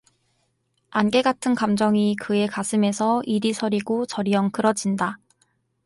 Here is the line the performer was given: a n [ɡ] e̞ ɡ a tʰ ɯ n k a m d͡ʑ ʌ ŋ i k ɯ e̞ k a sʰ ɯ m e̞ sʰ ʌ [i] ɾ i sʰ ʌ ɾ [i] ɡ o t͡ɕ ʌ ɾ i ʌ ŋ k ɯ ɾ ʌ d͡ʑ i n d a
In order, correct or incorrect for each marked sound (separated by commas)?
correct, correct, correct